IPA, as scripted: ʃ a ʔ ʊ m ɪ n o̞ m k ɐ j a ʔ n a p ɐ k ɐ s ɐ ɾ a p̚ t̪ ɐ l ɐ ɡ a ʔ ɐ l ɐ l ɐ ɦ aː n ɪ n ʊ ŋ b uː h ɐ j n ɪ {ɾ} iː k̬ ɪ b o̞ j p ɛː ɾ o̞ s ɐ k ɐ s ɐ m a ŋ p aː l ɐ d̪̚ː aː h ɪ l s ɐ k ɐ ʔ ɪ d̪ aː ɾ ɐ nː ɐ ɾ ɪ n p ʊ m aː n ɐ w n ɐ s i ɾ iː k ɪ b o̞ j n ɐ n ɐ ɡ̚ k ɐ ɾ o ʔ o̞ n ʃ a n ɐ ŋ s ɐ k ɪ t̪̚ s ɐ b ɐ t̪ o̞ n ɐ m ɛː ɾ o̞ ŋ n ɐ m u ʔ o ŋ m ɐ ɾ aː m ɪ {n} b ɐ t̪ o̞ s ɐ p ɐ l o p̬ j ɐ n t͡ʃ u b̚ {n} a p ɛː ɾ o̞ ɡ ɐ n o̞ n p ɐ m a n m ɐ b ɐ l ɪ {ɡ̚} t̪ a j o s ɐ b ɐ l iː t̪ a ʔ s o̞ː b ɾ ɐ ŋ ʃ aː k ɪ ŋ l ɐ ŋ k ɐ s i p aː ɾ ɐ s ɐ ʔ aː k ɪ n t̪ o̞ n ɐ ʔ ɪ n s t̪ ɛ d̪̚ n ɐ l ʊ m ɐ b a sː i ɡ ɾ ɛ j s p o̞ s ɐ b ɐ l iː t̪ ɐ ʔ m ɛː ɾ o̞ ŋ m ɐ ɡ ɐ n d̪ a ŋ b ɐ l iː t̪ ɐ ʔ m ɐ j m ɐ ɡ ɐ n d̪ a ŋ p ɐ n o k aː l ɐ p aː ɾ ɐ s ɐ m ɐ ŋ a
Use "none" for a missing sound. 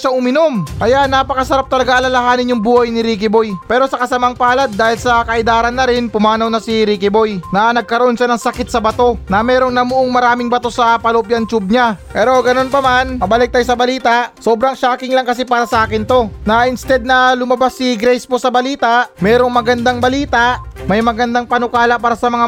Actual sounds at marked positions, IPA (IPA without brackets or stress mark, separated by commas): ɾ, ŋ, ɲ, k̚